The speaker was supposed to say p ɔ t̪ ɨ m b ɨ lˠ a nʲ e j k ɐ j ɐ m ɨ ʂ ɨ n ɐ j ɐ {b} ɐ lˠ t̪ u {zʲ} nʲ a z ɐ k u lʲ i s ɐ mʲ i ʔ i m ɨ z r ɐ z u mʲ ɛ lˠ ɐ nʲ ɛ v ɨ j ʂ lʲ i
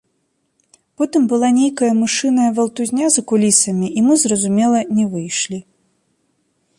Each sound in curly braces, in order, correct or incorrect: incorrect, correct

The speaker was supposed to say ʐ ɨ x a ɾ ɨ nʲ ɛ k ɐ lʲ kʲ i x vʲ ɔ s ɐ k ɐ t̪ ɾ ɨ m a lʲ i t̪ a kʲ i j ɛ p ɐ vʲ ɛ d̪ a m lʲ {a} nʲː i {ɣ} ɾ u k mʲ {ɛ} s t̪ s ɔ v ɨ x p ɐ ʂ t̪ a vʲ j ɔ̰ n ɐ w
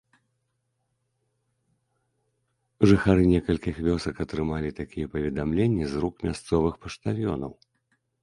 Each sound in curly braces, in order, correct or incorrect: incorrect, incorrect, incorrect

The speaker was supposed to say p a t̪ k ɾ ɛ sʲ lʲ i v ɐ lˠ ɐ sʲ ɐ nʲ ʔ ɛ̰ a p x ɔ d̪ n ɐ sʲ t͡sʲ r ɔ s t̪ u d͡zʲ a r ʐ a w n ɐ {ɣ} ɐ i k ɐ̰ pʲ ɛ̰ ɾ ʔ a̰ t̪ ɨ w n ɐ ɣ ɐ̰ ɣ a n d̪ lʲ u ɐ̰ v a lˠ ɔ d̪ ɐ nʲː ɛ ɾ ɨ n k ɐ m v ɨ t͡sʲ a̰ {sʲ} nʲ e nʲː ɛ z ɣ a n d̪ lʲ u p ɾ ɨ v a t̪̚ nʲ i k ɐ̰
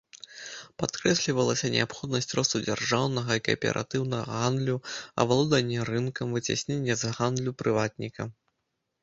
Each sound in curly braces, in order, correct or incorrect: correct, correct

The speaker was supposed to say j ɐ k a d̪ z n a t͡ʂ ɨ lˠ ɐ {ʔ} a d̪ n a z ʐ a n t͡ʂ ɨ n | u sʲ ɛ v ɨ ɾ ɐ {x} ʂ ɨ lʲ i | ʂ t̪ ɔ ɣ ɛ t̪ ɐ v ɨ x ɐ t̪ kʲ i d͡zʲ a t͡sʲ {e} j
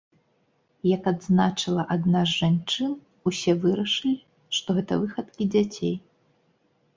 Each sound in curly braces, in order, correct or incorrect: correct, incorrect, correct

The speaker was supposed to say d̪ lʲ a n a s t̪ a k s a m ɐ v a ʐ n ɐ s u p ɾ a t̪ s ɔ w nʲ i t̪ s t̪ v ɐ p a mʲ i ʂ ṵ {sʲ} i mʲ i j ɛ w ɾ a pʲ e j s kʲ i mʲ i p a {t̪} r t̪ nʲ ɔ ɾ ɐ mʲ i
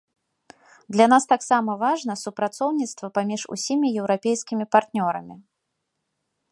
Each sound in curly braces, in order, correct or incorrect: correct, incorrect

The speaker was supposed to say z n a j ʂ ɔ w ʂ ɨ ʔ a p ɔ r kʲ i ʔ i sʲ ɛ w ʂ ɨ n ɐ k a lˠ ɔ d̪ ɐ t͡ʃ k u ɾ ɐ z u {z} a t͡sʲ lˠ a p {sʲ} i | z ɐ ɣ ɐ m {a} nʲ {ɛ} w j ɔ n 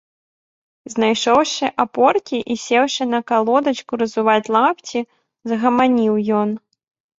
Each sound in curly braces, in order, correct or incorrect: incorrect, incorrect, correct, incorrect

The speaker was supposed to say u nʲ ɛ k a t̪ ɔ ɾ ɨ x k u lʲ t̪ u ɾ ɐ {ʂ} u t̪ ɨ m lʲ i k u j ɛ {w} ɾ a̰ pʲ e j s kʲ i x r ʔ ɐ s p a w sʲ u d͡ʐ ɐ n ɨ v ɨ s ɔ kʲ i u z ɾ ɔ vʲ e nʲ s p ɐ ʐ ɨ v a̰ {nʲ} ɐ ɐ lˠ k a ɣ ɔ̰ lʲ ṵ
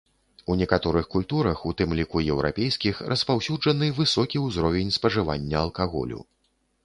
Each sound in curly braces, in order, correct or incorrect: incorrect, correct, incorrect

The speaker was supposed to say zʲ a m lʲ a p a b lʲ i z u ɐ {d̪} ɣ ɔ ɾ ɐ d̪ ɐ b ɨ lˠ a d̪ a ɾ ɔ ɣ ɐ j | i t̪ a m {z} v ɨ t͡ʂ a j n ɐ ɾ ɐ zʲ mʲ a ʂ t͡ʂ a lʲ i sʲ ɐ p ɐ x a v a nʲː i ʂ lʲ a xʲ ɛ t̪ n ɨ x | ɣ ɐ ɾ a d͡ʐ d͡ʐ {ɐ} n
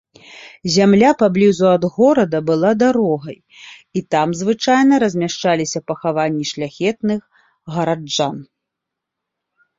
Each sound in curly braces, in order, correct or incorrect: correct, correct, incorrect

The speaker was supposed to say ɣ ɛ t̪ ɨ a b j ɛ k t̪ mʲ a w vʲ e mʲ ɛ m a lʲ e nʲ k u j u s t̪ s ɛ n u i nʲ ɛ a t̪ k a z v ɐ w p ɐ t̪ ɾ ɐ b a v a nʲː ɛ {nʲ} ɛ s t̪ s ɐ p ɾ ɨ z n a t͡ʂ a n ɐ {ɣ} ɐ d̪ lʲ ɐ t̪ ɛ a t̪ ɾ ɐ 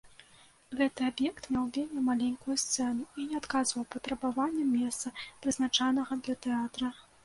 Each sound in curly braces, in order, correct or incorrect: incorrect, correct

